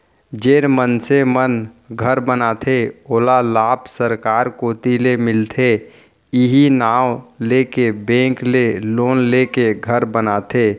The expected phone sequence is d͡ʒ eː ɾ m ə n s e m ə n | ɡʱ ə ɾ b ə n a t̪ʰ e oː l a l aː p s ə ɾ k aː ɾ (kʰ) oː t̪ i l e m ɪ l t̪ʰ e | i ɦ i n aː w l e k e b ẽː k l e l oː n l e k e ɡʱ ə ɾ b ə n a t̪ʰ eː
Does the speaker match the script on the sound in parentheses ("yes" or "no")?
no